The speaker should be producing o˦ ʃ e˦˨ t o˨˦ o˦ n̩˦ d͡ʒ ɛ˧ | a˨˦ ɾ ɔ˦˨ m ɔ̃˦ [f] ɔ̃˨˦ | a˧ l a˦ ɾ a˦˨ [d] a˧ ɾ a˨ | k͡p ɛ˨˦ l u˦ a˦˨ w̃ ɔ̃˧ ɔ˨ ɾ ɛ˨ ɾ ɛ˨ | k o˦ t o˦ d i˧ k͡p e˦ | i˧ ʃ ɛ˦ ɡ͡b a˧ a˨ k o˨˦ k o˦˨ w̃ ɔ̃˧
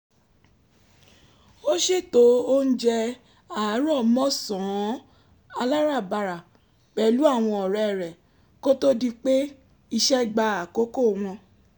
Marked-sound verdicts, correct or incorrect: incorrect: s, incorrect: b

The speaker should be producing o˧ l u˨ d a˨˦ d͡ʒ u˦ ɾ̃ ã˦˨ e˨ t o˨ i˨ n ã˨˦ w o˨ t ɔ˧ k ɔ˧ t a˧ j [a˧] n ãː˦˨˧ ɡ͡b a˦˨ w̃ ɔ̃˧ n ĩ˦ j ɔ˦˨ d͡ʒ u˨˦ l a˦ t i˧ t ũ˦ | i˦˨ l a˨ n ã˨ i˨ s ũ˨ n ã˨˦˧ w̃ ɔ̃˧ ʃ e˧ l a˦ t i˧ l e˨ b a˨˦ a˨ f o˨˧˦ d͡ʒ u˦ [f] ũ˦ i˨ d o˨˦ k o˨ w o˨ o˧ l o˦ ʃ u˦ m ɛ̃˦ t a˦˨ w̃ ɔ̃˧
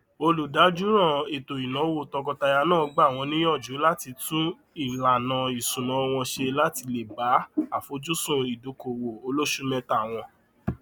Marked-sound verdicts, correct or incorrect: correct, incorrect: s

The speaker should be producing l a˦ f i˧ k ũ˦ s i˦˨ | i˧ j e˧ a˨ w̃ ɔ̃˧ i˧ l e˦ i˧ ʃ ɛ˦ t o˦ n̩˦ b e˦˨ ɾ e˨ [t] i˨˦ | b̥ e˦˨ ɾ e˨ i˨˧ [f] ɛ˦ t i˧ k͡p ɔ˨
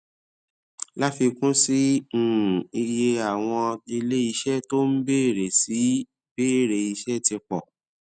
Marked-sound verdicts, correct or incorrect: incorrect: s, incorrect: ʃ

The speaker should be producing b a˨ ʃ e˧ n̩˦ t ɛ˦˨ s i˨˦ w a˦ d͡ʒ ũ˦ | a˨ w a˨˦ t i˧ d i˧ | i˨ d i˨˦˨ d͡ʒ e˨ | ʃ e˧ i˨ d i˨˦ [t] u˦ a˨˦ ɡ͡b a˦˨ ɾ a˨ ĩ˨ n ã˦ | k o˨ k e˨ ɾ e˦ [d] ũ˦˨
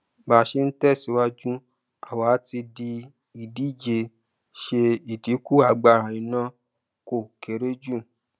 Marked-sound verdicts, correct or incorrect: incorrect: k, incorrect: d͡ʒ

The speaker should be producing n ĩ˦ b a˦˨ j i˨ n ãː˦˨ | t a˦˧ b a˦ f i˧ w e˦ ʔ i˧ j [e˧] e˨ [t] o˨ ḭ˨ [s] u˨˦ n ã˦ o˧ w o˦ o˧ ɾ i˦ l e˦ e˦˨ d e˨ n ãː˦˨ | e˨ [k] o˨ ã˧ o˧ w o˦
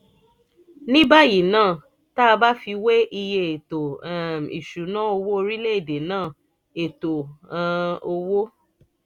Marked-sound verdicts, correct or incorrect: correct, correct, incorrect: ʃ, incorrect: t

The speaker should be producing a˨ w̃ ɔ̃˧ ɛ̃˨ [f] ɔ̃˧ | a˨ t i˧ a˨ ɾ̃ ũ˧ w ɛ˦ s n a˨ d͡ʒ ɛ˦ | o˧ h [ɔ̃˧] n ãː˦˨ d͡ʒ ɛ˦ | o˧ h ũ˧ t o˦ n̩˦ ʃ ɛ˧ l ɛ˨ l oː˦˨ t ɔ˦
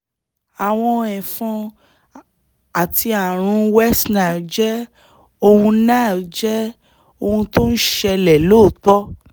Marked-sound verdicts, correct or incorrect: correct, incorrect: ũ˧

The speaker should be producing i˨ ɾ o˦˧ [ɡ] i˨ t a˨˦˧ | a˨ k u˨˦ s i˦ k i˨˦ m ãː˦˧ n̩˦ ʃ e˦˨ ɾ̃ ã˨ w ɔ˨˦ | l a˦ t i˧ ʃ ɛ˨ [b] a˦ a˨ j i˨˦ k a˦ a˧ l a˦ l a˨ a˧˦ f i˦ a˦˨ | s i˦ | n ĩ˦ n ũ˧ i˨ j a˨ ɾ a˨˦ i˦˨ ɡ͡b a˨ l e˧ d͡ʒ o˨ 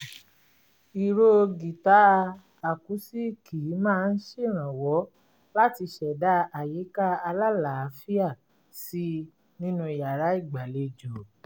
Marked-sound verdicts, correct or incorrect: correct, incorrect: d

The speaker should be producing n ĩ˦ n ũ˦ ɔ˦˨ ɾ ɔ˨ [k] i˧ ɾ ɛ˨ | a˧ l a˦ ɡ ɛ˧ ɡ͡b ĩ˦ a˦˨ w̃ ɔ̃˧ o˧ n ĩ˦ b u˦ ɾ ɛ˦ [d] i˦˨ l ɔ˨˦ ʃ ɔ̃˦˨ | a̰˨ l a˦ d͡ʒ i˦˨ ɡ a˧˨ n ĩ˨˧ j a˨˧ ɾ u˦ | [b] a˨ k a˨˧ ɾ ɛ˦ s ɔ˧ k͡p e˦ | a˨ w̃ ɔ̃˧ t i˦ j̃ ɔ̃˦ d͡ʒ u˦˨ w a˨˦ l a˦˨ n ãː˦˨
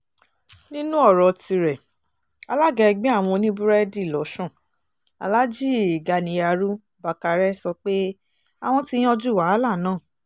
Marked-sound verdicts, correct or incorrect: incorrect: t, correct, correct

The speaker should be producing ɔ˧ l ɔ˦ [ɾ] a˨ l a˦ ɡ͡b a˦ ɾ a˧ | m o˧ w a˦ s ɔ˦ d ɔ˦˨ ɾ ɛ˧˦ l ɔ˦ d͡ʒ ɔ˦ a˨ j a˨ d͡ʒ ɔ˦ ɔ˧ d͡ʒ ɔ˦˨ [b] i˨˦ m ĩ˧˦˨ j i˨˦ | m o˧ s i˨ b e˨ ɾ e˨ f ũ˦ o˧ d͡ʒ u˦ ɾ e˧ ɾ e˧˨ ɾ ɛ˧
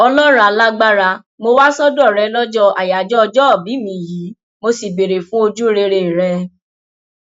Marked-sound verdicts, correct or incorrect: correct, correct

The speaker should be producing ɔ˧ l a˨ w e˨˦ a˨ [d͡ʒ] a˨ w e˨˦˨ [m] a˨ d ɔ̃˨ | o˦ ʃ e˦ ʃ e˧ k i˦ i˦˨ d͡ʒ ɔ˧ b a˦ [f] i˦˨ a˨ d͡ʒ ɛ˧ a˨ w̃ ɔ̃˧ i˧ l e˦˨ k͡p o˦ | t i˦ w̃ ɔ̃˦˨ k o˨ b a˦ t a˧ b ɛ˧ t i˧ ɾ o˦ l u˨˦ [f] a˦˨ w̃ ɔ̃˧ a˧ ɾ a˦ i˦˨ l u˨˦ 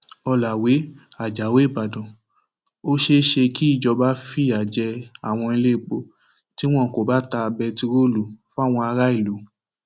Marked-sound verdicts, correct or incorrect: correct, incorrect: b, correct, correct

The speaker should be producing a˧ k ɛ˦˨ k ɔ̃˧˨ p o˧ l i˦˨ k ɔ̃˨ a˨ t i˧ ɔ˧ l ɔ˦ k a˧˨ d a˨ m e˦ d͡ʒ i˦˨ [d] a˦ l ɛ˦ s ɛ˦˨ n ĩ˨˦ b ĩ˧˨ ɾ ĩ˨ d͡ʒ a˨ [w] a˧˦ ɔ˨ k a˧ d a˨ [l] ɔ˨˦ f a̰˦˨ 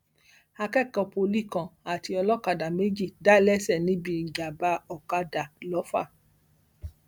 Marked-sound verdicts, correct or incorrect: correct, incorrect: b, correct

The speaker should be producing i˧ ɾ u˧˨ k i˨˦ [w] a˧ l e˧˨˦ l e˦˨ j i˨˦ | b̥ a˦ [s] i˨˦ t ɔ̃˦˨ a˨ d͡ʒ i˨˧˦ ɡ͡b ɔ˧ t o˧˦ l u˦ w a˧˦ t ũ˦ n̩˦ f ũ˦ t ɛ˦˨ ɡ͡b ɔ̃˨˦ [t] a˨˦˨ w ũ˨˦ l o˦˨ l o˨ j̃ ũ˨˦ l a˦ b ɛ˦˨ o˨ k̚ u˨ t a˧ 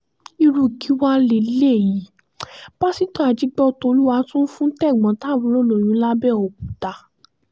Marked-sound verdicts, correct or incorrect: correct, correct, correct

